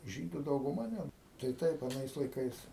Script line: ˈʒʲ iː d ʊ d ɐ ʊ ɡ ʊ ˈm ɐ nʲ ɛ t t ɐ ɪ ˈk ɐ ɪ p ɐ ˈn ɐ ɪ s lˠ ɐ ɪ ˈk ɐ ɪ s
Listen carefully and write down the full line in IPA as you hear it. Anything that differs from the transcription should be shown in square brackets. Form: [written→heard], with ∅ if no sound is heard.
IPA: ˈʒʲ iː d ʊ d ɐ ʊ ɡ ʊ ˈm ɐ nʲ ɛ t t ɐ ɪ [ˈk→ˈt] ɐ ɪ p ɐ ˈn ɐ ɪ s lˠ ɐ ɪ ˈk ɐ ɪ s